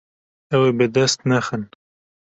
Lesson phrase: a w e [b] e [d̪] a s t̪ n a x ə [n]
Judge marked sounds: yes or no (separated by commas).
yes, yes, yes